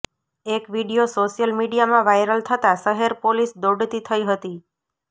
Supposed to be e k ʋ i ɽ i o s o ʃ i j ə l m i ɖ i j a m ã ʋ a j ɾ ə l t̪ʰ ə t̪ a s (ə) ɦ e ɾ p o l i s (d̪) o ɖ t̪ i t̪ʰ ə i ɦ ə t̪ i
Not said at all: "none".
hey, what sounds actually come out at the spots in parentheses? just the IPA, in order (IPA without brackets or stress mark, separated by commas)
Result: ə, d̪